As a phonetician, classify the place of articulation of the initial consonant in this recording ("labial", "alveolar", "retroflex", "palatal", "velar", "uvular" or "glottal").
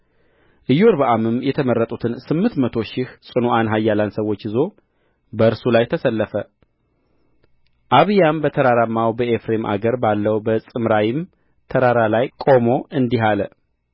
glottal